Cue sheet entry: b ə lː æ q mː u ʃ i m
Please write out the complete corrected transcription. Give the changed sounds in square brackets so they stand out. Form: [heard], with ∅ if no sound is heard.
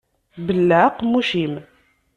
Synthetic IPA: b ə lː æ q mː u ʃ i m